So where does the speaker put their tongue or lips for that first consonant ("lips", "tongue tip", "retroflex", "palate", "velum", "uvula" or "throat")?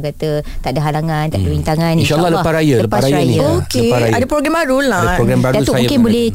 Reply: velum